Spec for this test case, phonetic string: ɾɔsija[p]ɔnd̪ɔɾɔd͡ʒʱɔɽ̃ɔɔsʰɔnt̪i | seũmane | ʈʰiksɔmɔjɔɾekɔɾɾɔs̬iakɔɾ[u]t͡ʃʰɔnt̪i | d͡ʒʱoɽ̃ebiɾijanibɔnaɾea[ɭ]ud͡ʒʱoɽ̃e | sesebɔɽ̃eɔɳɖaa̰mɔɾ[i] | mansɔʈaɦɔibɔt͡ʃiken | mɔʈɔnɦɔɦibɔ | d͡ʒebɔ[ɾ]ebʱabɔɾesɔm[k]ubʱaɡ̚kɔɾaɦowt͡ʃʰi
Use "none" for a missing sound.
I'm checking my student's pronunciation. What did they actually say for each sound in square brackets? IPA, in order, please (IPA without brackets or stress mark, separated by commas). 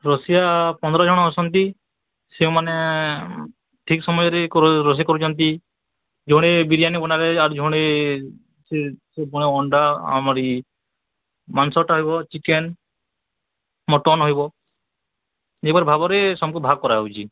p, u, ɾ, i, ɾ, k